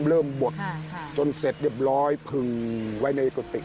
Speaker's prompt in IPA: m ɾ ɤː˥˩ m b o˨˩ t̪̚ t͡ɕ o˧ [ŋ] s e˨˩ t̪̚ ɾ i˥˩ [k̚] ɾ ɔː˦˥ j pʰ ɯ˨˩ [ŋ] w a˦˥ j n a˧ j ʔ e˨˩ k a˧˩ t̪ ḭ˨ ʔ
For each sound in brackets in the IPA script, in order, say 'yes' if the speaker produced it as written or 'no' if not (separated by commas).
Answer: no, no, yes